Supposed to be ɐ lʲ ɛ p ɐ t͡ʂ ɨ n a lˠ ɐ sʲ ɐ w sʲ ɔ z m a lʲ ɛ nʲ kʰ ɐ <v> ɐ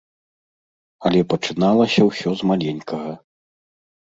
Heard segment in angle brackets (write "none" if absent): ɣ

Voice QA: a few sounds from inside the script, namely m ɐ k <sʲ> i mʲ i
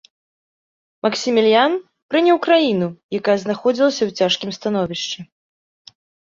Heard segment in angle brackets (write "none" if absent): sʲ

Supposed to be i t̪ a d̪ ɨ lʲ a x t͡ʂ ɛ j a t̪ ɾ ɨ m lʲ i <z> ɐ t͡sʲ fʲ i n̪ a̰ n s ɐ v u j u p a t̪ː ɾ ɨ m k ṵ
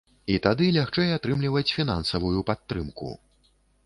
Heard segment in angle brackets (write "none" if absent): v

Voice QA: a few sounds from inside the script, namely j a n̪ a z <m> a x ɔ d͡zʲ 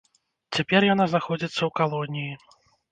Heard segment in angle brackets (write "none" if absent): n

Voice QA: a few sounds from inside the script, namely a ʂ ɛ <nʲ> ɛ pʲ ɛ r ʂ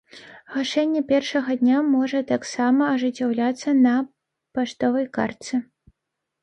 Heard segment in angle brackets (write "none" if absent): nʲː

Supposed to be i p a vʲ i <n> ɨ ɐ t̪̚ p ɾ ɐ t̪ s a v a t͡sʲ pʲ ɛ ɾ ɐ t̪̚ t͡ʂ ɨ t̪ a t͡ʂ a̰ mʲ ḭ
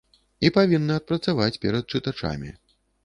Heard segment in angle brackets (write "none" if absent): nː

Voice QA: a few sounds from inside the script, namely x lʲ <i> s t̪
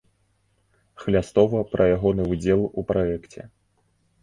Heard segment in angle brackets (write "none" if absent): a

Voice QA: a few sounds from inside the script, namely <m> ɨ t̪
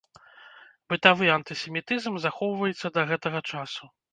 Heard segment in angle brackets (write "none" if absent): b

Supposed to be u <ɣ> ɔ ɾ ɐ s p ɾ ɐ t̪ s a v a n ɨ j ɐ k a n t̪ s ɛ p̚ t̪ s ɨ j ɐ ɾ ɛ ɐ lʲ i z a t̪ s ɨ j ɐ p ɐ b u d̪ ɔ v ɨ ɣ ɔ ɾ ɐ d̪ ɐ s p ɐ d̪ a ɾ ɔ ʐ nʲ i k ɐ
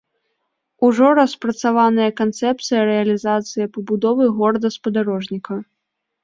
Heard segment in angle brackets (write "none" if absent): ʐ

